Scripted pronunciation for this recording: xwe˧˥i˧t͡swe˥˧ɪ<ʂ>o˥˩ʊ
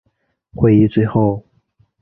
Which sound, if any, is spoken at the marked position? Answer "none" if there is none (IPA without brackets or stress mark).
x